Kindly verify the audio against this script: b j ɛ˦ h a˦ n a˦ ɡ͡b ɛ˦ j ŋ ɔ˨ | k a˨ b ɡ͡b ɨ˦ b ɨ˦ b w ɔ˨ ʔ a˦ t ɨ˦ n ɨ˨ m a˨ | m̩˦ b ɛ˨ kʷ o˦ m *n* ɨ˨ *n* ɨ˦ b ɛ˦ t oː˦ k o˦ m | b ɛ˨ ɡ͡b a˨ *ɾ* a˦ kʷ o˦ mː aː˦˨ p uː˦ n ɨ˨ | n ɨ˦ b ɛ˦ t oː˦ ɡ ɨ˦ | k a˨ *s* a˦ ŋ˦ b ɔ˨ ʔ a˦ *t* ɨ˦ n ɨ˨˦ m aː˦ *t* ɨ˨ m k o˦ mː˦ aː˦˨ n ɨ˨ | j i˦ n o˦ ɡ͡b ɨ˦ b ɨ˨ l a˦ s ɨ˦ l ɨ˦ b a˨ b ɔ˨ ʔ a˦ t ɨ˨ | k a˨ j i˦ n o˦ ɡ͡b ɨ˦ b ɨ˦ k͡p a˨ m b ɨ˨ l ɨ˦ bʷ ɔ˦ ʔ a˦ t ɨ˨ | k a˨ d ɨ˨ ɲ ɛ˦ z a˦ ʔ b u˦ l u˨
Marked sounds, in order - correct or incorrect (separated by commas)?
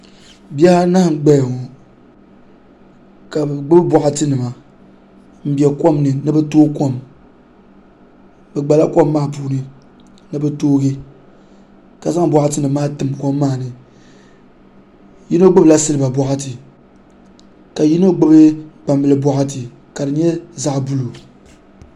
correct, correct, incorrect, incorrect, correct, correct